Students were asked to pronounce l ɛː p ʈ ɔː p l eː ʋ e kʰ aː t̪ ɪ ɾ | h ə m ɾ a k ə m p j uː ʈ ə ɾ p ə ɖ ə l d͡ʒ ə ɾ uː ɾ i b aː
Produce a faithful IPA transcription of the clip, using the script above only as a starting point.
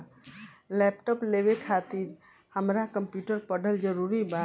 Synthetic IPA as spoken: l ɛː p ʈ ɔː p l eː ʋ e kʰ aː t̪ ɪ ɾ | h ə m ɾ a k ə m p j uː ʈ ə ɾ p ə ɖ ə l d͡ʒ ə ɾ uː ɾ i b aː